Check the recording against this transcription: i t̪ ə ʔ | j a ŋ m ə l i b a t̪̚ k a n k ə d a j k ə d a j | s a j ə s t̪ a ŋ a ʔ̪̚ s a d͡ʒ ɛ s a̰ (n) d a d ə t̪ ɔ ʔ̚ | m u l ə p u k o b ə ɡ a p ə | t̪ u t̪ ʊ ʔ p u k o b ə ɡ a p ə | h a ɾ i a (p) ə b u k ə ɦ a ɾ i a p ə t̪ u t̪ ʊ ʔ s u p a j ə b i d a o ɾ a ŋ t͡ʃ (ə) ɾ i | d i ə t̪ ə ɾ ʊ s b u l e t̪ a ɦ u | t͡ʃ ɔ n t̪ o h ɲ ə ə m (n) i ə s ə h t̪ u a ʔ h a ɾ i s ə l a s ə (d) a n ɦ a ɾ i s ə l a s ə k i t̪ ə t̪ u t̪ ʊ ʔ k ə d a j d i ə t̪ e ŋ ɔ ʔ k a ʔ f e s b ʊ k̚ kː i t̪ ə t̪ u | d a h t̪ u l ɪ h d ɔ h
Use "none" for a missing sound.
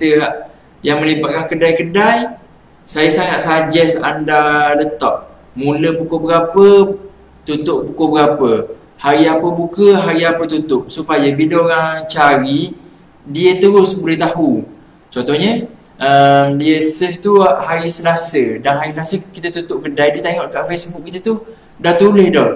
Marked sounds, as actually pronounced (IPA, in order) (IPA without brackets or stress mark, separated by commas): n, p, a, d, d